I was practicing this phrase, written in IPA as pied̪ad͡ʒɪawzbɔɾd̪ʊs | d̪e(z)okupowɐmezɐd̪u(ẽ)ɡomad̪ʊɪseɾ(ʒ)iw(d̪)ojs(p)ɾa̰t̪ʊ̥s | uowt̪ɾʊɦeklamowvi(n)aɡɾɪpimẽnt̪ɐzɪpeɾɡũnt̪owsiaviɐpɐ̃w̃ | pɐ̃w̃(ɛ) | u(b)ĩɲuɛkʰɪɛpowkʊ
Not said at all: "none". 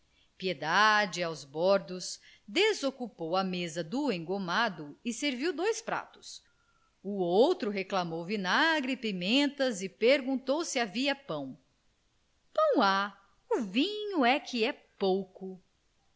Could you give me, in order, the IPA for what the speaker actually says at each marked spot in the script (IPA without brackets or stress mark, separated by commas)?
z, ẽ, v, d̪, p, n, a, v